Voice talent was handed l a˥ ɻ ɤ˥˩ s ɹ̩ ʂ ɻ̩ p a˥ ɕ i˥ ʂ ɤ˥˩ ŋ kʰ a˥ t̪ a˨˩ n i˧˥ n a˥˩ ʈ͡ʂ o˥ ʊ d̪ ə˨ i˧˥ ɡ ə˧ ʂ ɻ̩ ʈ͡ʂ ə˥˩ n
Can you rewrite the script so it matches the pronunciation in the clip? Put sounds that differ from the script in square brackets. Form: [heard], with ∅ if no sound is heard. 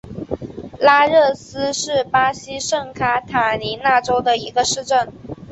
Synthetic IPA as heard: l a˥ ɻ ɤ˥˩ s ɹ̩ ʂ ɻ̩ p a˥ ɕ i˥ ʂ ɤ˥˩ ŋ kʰ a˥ [t̪ʰ] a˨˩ n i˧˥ n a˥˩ ʈ͡ʂ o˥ ʊ d̪ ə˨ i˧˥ ɡ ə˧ ʂ ɻ̩ ʈ͡ʂ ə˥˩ n